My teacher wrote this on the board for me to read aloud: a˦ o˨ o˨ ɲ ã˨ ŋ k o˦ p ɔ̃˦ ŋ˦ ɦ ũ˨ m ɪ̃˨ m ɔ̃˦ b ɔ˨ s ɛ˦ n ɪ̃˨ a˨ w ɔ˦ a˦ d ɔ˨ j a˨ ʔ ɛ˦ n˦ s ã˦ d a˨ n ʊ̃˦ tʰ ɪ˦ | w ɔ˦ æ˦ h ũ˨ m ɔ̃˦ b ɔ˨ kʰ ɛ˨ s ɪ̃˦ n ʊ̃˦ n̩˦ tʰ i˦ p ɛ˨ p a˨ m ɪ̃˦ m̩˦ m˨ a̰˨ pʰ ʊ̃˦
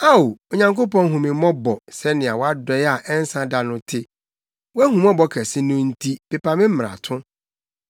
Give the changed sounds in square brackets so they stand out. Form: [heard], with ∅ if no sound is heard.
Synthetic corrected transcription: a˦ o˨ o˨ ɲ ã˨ ŋ k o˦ p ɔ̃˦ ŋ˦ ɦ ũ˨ m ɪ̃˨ m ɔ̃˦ b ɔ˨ s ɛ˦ n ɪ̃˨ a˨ w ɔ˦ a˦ d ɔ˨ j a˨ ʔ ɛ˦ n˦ s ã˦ d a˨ n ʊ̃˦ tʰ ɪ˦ | w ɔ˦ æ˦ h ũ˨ m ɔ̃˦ b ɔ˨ kʰ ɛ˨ s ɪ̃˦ n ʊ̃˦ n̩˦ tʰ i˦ p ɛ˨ p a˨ m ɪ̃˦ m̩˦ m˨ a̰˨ [tʰ] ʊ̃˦